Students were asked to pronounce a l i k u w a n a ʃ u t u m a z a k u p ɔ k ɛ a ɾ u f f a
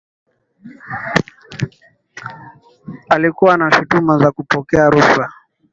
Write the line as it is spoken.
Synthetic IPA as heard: a l i k u w a n a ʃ u t u m a z a k u p ɔ k ɛ a ɾ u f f a